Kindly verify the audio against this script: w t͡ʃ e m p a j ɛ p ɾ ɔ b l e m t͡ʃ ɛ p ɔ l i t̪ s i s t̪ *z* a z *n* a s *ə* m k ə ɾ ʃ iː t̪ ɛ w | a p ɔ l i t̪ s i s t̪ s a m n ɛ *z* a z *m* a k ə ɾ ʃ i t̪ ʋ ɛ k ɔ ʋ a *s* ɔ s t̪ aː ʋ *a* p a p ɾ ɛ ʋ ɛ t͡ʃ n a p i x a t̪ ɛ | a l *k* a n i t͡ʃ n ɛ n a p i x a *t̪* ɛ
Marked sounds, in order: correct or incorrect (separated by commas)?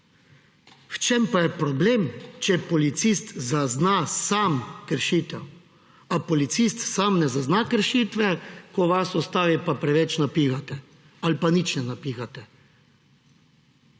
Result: correct, correct, incorrect, correct, incorrect, correct, incorrect, incorrect, correct